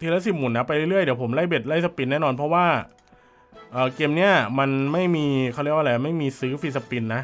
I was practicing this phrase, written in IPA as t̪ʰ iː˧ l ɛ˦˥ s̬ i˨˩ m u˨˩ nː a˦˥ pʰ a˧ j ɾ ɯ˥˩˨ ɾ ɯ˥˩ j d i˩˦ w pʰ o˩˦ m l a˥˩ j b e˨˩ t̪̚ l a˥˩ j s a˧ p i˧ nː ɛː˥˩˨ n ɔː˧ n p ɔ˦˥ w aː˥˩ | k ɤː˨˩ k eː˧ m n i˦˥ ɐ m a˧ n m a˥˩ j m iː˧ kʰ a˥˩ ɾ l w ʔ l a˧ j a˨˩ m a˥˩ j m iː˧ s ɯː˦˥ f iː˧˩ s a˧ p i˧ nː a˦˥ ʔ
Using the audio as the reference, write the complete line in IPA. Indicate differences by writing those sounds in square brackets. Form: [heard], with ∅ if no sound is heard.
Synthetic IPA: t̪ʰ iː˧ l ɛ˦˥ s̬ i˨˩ m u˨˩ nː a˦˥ [p] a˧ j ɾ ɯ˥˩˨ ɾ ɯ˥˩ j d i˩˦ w pʰ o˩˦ m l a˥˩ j b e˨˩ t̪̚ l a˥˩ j s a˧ p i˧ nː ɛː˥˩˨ n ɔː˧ n [pʰ] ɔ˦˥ w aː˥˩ | [ʔ] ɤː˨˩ k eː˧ m n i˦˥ ɐ m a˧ n m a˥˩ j m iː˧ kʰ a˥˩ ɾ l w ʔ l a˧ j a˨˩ m a˥˩ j m iː˧ s ɯː˦˥ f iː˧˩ s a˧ p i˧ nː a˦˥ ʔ